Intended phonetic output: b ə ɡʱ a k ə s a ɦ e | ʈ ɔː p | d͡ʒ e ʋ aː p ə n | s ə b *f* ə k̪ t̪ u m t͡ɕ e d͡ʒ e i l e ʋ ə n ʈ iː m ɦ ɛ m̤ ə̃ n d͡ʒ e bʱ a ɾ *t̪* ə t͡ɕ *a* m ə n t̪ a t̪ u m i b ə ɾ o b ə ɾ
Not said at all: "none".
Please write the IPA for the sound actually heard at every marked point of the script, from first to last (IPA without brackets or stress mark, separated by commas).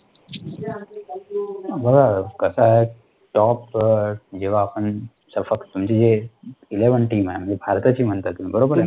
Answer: f, t̪, i